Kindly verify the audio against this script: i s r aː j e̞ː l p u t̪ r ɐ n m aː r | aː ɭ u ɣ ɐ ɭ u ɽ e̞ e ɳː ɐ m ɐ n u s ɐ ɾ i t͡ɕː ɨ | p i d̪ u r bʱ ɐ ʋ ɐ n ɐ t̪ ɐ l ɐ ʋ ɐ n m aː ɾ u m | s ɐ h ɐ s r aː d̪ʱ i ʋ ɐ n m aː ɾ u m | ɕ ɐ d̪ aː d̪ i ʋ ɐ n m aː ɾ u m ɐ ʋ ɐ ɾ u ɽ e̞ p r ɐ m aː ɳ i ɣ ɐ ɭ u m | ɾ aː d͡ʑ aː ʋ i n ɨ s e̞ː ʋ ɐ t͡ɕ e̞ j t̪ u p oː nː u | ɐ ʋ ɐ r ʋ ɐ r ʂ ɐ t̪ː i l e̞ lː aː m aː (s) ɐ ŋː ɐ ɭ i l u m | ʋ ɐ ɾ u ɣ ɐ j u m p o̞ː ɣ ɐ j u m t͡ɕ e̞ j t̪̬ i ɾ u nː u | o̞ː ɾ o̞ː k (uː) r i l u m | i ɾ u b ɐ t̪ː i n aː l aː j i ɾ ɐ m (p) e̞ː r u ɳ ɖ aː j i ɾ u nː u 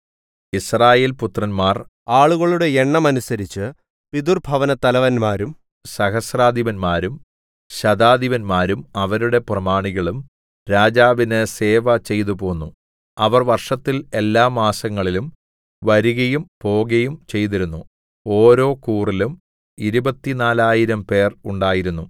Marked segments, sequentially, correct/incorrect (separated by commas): correct, correct, correct